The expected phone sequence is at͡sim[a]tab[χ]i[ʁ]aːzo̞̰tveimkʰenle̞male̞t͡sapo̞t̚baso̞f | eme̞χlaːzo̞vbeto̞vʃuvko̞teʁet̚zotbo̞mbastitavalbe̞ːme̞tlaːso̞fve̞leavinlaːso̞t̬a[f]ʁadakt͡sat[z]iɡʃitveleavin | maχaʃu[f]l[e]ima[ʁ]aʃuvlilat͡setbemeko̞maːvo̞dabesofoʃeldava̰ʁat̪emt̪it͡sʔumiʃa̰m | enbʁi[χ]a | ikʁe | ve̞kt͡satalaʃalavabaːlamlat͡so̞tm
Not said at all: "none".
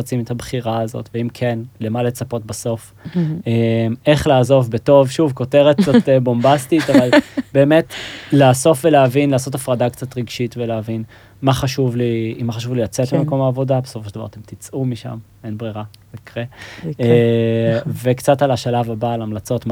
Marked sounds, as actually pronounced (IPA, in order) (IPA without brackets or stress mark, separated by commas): e, χ, ʁ, f, ʁ, v, i, χ, ʁ